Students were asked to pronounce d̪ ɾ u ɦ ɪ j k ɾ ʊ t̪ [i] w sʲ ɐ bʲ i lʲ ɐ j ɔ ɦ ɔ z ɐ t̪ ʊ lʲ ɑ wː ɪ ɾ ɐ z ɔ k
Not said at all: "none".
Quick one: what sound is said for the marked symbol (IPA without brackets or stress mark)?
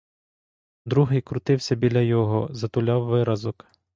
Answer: ɪ